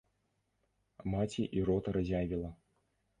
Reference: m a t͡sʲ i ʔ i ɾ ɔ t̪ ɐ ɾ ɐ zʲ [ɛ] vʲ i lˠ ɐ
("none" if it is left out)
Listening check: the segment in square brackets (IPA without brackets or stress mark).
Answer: a